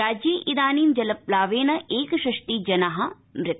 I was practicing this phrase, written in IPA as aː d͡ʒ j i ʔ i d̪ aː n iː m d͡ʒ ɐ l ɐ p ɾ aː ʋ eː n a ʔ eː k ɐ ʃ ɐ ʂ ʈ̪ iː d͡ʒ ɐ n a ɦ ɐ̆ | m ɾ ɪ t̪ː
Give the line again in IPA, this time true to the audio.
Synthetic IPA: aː d͡ʒ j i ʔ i d̪ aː n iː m d͡ʒ ɐ l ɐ p l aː ʋ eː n ɐ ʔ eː k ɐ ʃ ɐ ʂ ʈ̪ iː d͡ʒ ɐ n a ɦ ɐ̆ | m ɾ ɪ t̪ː